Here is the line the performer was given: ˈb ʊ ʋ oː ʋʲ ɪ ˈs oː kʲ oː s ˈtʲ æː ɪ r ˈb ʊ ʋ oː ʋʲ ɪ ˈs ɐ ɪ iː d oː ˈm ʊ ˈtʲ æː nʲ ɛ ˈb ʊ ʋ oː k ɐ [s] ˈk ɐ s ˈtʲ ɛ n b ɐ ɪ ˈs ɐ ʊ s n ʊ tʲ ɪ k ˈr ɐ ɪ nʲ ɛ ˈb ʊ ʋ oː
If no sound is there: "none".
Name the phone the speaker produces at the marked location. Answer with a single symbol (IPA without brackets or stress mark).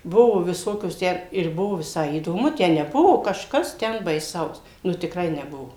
ʃ